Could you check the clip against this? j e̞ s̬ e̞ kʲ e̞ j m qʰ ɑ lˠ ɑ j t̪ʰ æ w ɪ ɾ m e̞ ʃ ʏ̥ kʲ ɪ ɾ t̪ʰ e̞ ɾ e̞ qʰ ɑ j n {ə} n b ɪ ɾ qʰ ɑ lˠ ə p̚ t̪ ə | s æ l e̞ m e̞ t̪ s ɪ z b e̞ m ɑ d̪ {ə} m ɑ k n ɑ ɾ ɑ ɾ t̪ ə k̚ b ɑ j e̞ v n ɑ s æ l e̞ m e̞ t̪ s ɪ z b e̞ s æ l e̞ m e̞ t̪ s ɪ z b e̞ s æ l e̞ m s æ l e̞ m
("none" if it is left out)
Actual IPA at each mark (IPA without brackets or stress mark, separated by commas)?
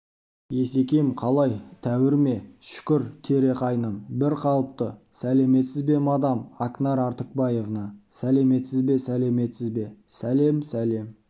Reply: ə, ɑ